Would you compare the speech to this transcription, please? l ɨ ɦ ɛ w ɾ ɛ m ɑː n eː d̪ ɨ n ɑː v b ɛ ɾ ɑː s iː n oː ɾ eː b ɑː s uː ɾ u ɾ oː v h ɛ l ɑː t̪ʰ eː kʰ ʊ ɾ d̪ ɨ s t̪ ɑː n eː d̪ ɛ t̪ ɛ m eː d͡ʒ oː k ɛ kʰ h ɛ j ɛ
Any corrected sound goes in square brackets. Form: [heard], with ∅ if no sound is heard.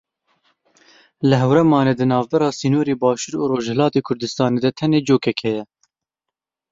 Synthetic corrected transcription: l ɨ ɦ ɛ w ɾ ɛ m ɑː n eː d̪ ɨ n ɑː v b ɛ ɾ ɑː s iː n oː ɾ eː b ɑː [ʃ] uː ɾ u ɾ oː [ʒ] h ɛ l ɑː [t̪] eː kʰ ʊ ɾ d̪ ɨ s t̪ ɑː n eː d̪ ɛ [t̪ʰ] ɛ [n] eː d͡ʒ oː k ɛ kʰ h ɛ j ɛ